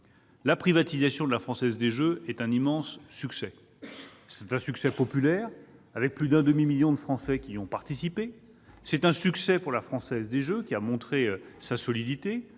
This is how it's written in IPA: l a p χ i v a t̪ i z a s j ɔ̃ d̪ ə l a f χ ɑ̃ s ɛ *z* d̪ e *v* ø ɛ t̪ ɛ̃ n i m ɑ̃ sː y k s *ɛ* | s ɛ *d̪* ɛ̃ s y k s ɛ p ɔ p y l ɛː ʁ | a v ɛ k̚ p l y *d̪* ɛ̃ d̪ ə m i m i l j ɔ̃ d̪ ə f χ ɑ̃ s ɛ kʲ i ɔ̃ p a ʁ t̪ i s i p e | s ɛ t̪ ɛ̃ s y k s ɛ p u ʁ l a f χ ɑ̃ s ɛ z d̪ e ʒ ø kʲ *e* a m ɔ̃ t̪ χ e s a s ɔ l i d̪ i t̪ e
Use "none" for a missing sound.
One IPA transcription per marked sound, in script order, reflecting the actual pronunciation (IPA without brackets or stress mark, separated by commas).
z, ʒ, ɛ, t̪, d̪, i